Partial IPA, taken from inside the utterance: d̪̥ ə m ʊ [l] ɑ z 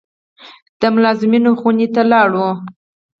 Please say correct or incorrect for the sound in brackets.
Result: correct